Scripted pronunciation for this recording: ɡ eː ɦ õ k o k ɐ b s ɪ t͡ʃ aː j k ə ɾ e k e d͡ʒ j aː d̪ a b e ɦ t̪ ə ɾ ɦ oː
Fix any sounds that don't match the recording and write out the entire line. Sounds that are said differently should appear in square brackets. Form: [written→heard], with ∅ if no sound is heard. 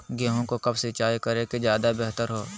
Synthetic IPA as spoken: ɡ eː ɦ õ k o k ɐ b s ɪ t͡ʃ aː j k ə ɾ e k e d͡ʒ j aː d̪ a b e ɦ t̪ ə ɾ ɦ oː